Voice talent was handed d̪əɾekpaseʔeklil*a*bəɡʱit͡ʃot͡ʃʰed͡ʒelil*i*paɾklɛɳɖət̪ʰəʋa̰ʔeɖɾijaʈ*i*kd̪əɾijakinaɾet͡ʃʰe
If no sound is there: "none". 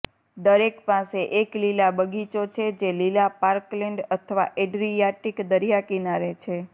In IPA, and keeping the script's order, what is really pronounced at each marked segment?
a, a, i

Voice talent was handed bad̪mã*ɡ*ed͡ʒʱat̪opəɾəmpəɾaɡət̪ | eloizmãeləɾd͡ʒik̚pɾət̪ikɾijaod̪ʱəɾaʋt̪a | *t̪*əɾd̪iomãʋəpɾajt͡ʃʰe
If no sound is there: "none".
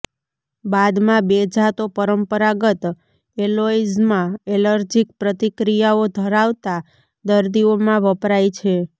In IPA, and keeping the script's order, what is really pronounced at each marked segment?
b, d̪

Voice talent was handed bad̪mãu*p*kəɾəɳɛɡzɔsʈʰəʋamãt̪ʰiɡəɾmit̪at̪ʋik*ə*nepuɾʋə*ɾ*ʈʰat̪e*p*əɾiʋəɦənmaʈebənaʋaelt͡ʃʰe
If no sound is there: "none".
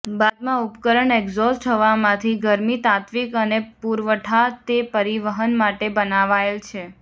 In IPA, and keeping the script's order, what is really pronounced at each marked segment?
p, ə, none, p

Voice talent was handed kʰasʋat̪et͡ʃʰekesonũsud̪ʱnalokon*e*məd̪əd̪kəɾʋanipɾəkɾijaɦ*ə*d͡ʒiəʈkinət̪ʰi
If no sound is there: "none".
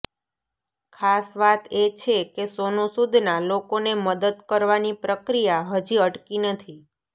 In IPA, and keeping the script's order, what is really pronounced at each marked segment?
e, ə

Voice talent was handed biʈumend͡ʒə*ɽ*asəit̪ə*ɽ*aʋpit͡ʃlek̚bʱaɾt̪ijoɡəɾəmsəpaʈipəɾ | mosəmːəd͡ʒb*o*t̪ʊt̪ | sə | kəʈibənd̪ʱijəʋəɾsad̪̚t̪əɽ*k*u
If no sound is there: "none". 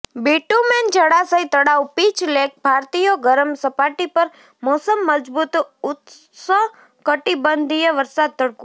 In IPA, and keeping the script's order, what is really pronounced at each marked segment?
ɽ, ɽ, u, k

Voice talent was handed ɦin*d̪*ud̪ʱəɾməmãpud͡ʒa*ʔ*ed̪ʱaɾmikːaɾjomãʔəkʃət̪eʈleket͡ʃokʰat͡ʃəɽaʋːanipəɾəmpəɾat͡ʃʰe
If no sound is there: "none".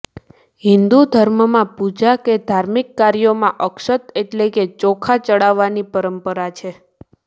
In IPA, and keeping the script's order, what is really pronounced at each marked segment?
d̪, k

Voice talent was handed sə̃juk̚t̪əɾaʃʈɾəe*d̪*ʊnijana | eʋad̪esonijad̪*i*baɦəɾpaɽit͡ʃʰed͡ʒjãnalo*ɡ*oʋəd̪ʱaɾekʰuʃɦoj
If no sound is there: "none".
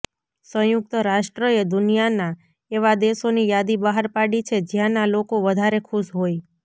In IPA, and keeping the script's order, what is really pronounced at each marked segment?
d̪, i, k

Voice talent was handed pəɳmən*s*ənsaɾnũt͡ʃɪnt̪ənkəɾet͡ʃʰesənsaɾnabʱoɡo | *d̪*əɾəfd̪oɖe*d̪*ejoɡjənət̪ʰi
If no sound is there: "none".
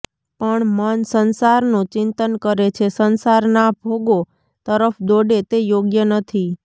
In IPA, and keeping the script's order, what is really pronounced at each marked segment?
s, t̪, t̪

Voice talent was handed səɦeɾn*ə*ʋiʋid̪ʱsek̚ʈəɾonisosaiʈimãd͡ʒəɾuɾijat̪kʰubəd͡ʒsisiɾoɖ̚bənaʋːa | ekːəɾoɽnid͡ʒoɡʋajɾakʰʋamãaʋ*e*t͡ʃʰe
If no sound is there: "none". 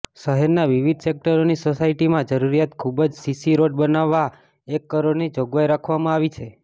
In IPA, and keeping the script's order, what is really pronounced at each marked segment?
a, i

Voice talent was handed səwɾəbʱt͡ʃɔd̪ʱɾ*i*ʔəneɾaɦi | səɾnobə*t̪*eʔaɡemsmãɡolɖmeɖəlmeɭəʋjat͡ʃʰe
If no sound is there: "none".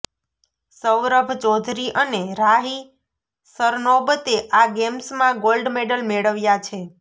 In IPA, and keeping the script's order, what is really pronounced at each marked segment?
i, t̪

